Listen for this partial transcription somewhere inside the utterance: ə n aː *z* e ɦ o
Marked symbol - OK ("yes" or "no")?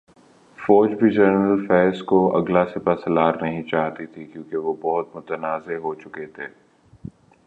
yes